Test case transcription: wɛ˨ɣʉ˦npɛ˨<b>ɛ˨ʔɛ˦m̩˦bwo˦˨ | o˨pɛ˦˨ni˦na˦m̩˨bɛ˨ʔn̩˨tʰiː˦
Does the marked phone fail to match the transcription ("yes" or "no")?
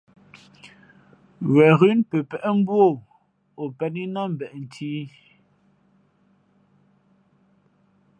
yes